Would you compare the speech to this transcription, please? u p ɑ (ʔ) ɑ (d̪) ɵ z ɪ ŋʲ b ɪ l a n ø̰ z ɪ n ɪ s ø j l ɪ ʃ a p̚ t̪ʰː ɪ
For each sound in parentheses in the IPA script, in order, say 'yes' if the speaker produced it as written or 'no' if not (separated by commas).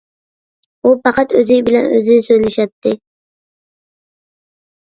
no, no